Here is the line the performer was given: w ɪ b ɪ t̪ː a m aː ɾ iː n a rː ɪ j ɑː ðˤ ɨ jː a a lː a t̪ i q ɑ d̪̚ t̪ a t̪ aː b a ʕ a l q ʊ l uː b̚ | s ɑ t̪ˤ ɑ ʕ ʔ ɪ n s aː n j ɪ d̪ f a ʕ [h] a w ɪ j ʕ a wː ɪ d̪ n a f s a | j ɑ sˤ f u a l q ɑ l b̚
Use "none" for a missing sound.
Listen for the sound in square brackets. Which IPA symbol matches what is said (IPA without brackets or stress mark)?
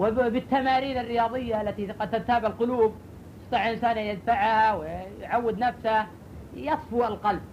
h